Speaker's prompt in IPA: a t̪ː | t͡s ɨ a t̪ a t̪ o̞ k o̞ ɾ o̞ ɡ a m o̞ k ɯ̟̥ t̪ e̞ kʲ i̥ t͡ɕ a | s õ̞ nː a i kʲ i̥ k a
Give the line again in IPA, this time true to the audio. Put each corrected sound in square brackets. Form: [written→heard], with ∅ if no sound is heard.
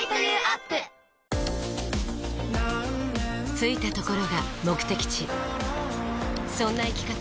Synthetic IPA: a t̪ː | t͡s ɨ [a→i] t̪ a t̪ o̞ k o̞ ɾ o̞ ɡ a m o̞ k ɯ̟̥ t̪ e̞ kʲ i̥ t͡ɕ [a→i] | s õ̞ nː a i kʲ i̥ k a